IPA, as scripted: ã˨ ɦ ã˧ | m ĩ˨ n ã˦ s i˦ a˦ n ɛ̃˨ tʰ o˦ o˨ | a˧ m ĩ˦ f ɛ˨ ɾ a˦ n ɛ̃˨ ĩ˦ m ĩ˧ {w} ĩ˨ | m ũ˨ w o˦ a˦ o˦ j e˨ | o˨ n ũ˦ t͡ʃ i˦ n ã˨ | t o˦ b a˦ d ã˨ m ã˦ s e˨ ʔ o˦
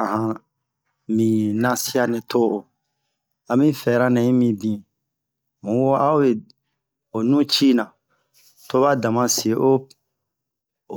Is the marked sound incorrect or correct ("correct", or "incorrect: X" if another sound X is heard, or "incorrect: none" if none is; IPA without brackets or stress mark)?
incorrect: b